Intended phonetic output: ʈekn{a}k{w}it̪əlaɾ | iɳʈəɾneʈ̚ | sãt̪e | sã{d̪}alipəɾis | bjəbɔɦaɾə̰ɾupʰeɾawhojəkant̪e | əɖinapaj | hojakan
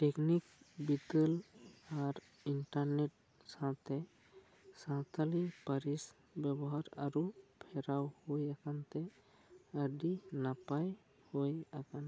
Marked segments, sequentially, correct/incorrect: incorrect: i, incorrect: b, incorrect: t̪

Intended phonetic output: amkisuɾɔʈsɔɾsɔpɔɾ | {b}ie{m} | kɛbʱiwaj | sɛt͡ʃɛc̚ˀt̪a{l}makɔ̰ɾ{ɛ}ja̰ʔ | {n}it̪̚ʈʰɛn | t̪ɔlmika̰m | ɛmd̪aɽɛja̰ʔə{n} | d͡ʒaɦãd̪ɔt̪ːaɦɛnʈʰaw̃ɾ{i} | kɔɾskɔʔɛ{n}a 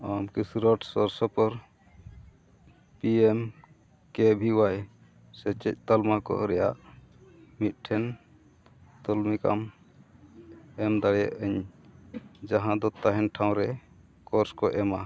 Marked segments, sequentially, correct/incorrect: incorrect: p, correct, correct, correct, incorrect: m, incorrect: ɲ, incorrect: ɛ, incorrect: m

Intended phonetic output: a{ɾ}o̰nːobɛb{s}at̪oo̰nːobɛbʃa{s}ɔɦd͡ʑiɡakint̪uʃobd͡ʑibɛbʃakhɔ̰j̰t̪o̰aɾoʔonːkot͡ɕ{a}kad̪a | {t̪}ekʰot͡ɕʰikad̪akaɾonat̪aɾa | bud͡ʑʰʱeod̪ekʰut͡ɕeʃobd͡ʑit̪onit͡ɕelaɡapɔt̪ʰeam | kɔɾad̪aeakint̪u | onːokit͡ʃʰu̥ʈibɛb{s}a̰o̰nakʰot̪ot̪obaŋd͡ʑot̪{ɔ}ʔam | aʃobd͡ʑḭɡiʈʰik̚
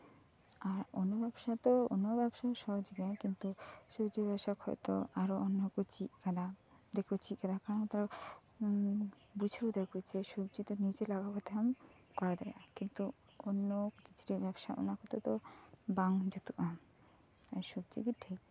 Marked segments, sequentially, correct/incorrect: correct, incorrect: ʃ, incorrect: ʃ, incorrect: i, incorrect: d̪, incorrect: ʃ, incorrect: u

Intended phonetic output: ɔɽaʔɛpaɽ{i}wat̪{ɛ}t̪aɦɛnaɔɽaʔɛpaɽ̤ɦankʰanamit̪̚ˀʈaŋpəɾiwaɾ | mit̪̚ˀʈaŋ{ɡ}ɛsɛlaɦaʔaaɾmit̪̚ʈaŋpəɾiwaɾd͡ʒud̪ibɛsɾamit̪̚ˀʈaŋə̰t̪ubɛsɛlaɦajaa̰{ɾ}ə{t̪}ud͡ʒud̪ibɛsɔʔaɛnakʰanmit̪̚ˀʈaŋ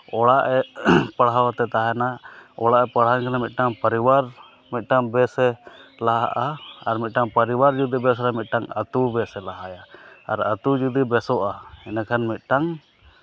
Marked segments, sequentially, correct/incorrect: incorrect: a, correct, incorrect: b, correct, correct

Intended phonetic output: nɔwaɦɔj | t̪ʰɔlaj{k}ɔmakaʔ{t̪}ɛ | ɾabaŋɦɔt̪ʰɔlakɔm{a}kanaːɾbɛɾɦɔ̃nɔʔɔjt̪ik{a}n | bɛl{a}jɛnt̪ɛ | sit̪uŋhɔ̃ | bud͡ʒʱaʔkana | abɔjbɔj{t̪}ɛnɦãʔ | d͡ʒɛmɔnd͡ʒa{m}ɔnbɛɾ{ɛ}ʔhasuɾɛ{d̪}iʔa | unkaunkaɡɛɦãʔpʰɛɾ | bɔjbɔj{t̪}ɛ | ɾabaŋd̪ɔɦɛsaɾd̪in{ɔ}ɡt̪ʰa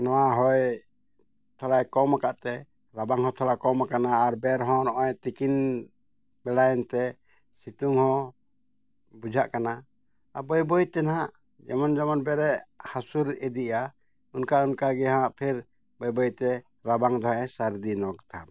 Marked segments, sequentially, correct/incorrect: correct, correct, correct, incorrect: i, correct, correct, correct, correct, correct, correct, correct

